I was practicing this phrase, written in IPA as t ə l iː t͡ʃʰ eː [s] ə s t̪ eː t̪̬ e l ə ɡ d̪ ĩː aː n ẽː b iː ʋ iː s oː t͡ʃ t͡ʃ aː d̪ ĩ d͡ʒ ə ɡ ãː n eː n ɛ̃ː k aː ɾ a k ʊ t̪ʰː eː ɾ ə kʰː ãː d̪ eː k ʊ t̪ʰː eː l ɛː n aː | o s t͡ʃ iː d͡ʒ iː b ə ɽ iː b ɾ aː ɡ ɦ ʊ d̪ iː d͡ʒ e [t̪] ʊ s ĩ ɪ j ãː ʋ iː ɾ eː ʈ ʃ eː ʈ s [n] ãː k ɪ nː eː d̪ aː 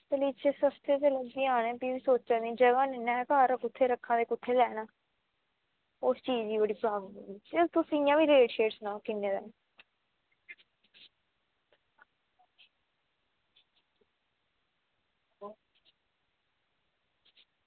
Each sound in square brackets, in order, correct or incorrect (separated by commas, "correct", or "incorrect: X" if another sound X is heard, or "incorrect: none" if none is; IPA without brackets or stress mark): correct, correct, correct